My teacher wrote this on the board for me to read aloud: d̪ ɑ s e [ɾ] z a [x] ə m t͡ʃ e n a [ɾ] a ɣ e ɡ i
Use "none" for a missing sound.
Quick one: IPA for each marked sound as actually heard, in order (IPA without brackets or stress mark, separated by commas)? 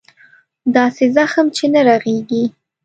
none, x, ɾ